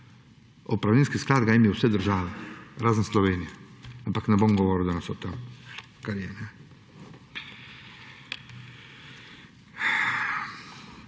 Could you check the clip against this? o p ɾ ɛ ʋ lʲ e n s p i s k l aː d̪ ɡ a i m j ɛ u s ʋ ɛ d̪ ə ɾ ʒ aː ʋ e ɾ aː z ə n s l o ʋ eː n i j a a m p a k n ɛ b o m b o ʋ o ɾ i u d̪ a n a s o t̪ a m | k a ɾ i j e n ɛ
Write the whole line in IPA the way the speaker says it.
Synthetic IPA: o p ɾ a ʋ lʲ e n s k i s k l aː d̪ ɡ a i m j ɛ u s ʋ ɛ d̪ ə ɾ ʒ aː ʋ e ɾ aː z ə n s l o ʋ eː n i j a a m p a k n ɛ b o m ɡ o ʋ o ɾ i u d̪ a n a s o t̪ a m | k a ɾ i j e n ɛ